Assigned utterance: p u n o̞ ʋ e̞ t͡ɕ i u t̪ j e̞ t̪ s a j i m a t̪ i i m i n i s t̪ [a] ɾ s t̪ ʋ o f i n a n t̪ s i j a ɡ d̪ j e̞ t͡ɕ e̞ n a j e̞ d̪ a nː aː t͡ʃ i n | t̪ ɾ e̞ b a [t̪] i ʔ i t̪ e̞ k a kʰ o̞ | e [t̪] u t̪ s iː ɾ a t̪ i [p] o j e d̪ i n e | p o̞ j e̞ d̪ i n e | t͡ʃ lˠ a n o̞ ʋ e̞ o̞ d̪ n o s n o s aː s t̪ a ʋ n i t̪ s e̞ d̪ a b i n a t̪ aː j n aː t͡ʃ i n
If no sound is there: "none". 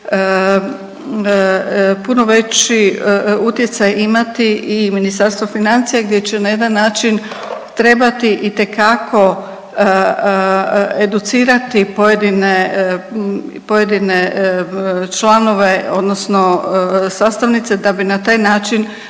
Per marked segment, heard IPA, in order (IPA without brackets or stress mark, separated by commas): a, t̪, d̪, p